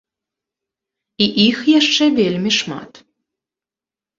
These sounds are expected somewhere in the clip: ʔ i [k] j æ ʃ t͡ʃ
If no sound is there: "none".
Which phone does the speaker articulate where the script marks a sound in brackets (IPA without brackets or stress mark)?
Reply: x